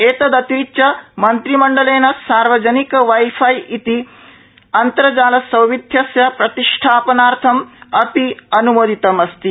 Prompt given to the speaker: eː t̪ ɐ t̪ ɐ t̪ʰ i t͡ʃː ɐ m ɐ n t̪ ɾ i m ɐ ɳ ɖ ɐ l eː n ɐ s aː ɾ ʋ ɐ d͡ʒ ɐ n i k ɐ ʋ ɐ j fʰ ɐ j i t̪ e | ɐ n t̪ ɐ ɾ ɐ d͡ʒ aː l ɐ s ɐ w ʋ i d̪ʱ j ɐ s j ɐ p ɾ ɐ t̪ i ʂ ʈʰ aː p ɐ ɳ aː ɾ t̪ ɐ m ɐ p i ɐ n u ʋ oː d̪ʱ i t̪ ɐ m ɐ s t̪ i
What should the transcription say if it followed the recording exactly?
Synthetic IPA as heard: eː t̪ ɐ d̪ ɐ t̪ i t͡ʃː ɐ m ɐ n t̪ ɾ i m ɐ ɳ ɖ ɐ l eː n ɐ s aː ɾ ʋ ɐ d͡ʒ ɐ n i k ɐ ʋ ɐ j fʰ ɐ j i t̪ i | ɐ n t̪ ɐ ɾ ɐ d͡ʒ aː l ɐ s ɐ w ʋ i d̪ʱ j ɐ s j ɐ p ɾ ɐ t̪ i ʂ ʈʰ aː p ɐ n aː ɾ t̪ʰ ɐ m ɐ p i ɐ n u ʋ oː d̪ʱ i t̪ ɐ m ɐ s t̪ i